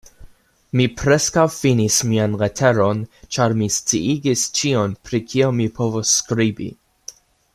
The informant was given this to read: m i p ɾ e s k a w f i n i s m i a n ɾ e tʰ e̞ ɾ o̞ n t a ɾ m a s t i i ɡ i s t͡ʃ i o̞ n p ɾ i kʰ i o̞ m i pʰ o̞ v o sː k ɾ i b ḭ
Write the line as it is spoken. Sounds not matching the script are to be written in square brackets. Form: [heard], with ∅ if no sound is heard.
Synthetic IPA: m i p ɾ e s k a w f i n i s m i a n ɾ e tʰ e̞ ɾ o̞ n [t͡ʃ] a ɾ m [i] s [t͡s] i i ɡ i s t͡ʃ i o̞ n p ɾ i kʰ i o̞ m i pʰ o̞ v o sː k ɾ i b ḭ